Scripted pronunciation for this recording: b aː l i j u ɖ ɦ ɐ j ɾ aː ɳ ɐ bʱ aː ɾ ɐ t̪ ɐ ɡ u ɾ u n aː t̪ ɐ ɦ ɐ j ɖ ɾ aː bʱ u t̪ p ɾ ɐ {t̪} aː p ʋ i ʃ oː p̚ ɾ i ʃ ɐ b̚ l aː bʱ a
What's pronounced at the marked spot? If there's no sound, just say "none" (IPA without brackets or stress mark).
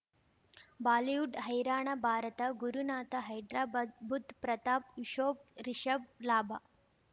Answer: t̪